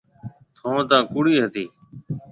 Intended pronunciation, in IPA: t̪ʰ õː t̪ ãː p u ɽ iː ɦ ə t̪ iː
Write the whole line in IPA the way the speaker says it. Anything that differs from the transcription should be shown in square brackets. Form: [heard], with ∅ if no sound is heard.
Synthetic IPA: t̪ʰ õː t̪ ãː [k] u ɽ iː ɦ ə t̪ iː